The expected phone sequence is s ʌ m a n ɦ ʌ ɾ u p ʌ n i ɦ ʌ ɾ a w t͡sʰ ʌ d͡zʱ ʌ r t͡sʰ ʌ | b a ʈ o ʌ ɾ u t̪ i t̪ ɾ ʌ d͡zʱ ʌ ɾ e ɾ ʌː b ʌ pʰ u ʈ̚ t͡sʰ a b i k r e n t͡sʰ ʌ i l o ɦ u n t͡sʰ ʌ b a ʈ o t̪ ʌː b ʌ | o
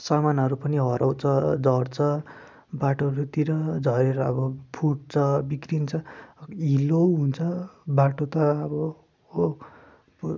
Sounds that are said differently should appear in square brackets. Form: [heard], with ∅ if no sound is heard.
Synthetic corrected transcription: s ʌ m a n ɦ ʌ ɾ u p ʌ n i ɦ ʌ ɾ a w t͡sʰ ʌ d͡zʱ ʌ r t͡sʰ ʌ | b a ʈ o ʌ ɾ u t̪ i [∅] ɾ ʌ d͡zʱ ʌ ɾ e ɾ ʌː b ʌ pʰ u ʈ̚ t͡sʰ [ʌ] b i k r [i] n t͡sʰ ʌ i l o ɦ u n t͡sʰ ʌ b a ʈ o t̪ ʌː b ʌ | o